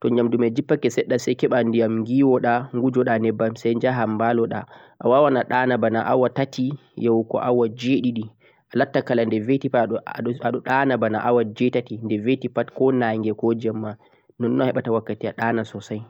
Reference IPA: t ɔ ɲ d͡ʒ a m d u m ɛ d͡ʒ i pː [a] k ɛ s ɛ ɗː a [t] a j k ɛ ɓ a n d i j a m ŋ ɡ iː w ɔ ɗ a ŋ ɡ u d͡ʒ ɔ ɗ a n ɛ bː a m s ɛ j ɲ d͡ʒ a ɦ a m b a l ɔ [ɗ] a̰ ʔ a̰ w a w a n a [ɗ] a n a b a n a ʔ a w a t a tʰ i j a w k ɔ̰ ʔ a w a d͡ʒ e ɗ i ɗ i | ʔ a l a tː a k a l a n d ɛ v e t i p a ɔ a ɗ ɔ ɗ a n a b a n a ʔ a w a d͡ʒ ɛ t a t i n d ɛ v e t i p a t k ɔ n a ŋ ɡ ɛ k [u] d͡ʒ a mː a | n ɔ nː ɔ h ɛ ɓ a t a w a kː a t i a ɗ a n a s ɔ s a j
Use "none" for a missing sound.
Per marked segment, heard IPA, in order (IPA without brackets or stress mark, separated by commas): a, s, ɗ, ɗ, ɔ